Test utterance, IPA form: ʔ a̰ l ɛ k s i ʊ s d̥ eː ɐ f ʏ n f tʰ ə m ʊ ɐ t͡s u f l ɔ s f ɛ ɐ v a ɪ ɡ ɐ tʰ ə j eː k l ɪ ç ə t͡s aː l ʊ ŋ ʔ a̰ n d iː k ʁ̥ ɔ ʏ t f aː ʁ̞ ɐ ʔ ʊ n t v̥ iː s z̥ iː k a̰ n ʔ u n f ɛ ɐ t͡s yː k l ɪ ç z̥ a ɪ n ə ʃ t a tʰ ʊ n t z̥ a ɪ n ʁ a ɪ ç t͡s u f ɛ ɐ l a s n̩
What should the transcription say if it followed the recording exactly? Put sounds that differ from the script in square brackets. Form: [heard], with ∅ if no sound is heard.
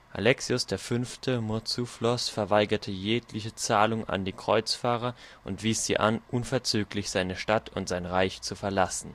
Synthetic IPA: ʔ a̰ l ɛ k s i ʊ s d̥ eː ɐ f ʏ n f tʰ ə m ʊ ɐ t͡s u f l ɔ s f ɛ ɐ v a ɪ ɡ ɐ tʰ ə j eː k l ɪ ç ə t͡s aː l ʊ ŋ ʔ a̰ n d iː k ʁ̥ ɔ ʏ [t͡s] f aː ʁ̞ ɐ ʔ ʊ n t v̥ iː s z̥ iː [ʔ] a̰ n ʔ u n f ɛ ɐ t͡s yː k l ɪ ç z̥ a ɪ n ə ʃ t a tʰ ʊ n t z̥ a ɪ n ʁ a ɪ ç t͡s u f ɛ ɐ l a s n̩